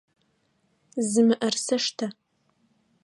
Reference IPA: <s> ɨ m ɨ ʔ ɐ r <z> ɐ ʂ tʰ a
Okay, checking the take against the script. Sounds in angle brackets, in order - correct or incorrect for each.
incorrect: z, incorrect: s

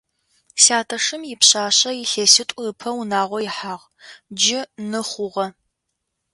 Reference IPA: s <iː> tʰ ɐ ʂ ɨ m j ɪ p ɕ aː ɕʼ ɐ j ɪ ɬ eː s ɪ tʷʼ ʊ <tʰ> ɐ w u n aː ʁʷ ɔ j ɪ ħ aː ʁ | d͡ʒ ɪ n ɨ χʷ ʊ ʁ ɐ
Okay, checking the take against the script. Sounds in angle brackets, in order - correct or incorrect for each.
incorrect: aː, incorrect: pʰ

